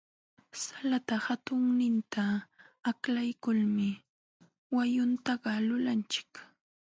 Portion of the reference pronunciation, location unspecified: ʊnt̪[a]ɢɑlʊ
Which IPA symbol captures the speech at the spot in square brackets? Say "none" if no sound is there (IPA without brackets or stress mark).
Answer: ɑ